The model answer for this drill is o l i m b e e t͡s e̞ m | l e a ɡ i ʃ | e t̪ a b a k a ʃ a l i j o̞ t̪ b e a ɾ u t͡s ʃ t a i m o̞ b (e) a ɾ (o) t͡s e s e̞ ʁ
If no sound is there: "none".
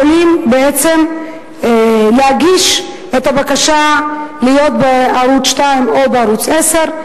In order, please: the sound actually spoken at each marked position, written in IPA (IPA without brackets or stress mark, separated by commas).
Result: e, u